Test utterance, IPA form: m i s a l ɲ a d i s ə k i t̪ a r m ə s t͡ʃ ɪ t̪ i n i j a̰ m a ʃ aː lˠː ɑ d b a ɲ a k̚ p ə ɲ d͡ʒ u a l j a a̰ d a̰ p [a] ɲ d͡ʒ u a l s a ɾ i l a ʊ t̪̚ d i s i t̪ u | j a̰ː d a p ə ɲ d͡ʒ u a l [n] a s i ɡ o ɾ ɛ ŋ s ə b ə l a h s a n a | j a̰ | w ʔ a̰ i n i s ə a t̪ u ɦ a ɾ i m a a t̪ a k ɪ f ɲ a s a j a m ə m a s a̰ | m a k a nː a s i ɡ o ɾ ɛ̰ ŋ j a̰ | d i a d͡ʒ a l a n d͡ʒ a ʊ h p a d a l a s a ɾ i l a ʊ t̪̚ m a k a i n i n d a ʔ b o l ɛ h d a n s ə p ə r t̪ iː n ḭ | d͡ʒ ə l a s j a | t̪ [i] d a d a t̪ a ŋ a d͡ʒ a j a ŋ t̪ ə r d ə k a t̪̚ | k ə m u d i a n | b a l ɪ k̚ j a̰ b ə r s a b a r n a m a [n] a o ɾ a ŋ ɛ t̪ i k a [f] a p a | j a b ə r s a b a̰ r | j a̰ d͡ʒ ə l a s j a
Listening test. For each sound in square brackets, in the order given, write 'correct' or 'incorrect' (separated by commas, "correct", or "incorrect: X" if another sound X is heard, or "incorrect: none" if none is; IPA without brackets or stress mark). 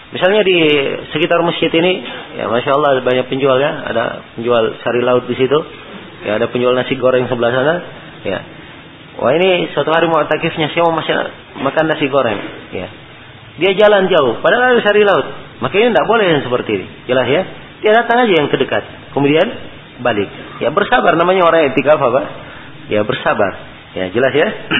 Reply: incorrect: ə, correct, correct, incorrect: ɲ, correct